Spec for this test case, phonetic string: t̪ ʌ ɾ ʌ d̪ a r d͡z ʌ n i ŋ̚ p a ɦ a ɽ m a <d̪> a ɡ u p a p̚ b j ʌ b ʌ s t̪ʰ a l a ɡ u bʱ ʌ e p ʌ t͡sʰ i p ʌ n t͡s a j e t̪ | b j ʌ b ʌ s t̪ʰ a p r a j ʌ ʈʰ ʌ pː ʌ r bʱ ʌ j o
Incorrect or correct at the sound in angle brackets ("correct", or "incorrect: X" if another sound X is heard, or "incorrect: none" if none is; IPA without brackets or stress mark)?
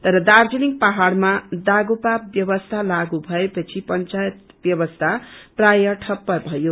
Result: correct